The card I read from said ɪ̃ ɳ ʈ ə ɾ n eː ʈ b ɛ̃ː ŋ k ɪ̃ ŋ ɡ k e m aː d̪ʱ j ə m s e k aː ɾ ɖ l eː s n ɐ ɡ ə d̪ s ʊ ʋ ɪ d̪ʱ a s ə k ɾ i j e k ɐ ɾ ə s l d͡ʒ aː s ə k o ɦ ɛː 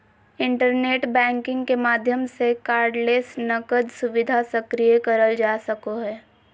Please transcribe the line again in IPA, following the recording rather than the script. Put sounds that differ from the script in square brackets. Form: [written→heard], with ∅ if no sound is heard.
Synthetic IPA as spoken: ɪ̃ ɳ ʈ ə ɾ n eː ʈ b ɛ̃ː ŋ k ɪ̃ ŋ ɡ k e m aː d̪ʱ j ə m s e k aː ɾ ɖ l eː s n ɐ [ɡ→k] ə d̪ s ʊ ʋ ɪ d̪ʱ a s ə k ɾ i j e k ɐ ɾ ə [s→∅] l d͡ʒ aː s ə k o ɦ ɛː